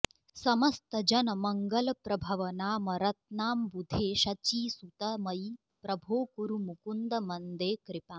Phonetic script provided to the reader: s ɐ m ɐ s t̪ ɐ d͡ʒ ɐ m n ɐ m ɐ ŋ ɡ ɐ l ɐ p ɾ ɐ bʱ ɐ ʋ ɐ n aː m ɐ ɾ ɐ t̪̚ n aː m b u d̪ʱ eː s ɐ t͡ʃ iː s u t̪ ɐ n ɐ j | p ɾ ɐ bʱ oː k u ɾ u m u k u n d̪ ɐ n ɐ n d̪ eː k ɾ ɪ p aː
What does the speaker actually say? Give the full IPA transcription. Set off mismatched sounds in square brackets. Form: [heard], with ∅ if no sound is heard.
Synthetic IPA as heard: s ɐ m ɐ s t̪ ɐ d͡ʒ ɐ [∅] n ɐ m ɐ ŋ ɡ ɐ l ɐ p ɾ ɐ bʱ ɐ ʋ ɐ n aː m ɐ ɾ ɐ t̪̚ n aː m b u d̪ʱ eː [ʃ] ɐ t͡ʃ iː s u t̪ ɐ [m] ɐ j | p ɾ ɐ bʱ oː k u ɾ u m u k u n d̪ ɐ [m] ɐ n d̪ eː k ɾ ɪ p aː